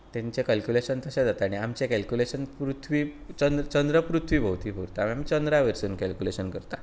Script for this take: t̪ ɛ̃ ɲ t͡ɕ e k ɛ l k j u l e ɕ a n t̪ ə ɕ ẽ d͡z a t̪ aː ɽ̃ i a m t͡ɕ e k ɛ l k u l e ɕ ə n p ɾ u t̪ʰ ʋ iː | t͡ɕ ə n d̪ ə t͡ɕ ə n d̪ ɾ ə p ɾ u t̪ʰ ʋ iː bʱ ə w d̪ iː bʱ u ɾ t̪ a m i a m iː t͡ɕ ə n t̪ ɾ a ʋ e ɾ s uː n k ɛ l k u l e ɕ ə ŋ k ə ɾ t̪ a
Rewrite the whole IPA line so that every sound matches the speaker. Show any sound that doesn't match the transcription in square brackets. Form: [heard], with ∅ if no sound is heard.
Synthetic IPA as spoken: t̪ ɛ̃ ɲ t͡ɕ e k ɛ l k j u l e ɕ [ə] n t̪ ə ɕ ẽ d͡z a t̪ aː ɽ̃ i a m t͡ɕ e k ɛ l k u l e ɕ ə n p ɾ u t̪ʰ ʋ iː | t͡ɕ ə n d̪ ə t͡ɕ ə n d̪ ɾ ə p ɾ u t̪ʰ ʋ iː bʱ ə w [t̪] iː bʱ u ɾ t̪ a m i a m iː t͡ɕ ə n [d̪] ɾ a ʋ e ɾ s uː n k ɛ l k u l e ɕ ə [n] k ə ɾ t̪ a